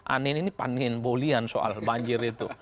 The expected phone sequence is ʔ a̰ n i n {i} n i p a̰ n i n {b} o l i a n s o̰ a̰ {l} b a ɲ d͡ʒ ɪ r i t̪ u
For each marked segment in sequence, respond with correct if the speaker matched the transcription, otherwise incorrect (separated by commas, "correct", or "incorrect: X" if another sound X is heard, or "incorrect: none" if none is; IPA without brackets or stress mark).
correct, correct, correct